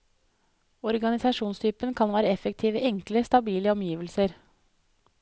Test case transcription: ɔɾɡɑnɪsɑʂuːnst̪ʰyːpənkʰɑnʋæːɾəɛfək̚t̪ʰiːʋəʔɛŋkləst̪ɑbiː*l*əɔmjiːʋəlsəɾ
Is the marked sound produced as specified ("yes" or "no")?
yes